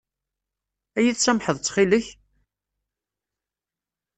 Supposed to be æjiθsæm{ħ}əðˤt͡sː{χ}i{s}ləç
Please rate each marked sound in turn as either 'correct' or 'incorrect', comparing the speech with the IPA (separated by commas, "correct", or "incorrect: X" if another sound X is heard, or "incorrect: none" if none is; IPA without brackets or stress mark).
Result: correct, correct, incorrect: none